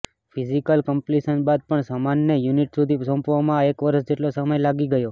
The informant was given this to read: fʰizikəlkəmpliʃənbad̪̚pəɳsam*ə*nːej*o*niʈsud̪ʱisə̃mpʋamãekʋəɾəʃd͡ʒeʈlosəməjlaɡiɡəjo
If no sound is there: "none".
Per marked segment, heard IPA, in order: a, u

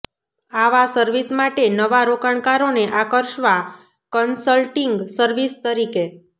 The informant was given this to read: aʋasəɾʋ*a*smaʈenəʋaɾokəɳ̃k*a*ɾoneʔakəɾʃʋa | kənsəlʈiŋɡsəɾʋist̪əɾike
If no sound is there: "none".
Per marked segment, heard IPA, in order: i, a

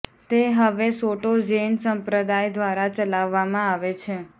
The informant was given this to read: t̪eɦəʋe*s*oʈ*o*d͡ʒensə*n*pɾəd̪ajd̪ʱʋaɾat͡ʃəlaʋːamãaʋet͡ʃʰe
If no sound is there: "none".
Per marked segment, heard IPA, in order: s, o, m

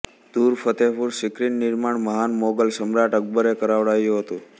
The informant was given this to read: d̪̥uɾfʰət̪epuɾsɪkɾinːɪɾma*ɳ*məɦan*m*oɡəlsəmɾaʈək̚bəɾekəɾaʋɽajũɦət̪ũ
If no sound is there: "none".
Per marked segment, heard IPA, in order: ɳ, m

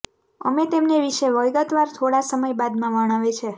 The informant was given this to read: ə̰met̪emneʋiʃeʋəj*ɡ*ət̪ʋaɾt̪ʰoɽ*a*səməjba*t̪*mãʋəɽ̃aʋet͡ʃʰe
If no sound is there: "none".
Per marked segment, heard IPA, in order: ɡ, a, d̪

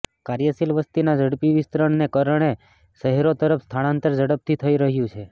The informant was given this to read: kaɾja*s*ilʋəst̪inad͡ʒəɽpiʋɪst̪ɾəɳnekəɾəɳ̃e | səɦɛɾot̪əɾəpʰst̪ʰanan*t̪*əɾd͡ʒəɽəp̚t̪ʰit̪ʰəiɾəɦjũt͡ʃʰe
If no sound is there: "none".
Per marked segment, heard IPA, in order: s, t̪

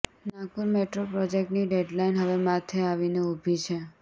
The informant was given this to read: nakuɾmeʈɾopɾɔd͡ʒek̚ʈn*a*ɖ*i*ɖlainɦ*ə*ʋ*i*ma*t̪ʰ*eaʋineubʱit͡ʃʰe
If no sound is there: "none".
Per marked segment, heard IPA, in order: i, e, ə, e, t̪ʰ

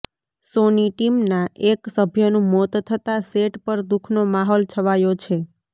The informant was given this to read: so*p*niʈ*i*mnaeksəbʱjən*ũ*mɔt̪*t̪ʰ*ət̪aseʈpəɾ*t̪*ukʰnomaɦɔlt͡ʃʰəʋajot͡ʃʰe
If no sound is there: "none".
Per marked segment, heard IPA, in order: none, i, ũ, t̪ʰ, d̪

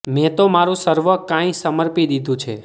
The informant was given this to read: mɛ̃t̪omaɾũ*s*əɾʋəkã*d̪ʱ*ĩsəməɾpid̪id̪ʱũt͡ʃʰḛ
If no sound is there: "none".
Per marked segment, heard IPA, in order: s, none

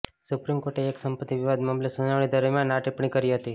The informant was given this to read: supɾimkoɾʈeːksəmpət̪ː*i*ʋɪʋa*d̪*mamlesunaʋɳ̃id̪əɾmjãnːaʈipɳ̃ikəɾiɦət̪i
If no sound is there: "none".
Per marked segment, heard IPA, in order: i, d̪

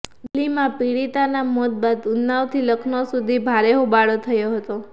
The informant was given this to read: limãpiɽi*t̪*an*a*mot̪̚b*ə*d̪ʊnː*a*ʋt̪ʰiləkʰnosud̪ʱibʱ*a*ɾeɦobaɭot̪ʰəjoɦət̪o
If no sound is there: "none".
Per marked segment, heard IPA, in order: t̪, a, a, a, a

